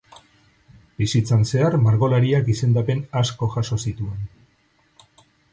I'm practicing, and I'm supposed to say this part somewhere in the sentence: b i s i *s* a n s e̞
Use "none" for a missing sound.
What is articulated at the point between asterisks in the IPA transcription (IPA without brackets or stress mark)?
t͡s